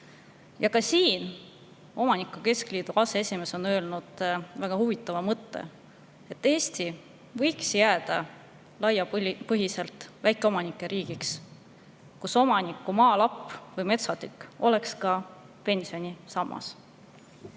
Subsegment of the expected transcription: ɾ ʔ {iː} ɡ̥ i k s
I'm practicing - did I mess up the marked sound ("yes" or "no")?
no